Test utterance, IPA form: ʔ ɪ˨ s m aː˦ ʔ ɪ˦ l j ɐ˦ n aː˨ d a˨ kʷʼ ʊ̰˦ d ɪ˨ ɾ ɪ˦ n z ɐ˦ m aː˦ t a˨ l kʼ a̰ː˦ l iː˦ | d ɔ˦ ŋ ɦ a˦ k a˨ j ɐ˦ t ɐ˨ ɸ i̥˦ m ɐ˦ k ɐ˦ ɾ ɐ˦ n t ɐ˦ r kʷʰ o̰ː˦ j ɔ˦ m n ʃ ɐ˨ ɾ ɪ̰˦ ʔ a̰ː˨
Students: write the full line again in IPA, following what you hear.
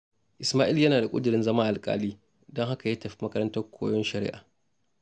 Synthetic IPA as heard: ʔ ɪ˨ s m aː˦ ʔ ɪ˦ l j ɐ˦ n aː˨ d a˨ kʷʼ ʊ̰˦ d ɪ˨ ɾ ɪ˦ n z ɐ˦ m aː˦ ʔ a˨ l kʼ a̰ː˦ l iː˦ | d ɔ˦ ŋ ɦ a˦ k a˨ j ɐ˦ t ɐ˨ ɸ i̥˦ m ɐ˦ k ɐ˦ ɾ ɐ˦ n t ɐ˦ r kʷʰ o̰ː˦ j ɔ˦ n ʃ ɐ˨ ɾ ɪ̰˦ ʔ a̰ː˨